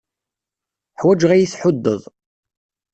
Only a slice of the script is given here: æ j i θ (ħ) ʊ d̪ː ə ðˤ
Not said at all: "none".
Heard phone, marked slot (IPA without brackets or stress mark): ħ